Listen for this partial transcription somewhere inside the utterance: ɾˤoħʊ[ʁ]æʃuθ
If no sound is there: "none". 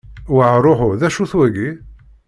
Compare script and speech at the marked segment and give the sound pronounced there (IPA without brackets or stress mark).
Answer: ð